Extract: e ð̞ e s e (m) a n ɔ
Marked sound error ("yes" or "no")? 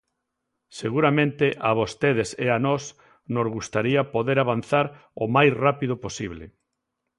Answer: yes